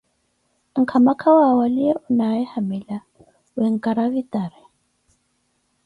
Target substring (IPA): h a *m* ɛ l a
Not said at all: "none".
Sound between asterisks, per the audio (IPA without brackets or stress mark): m